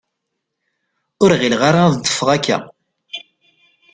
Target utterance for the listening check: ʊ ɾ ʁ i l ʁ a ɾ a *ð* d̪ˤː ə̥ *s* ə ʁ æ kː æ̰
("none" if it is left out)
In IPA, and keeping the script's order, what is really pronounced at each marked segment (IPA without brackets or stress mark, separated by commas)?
ð, f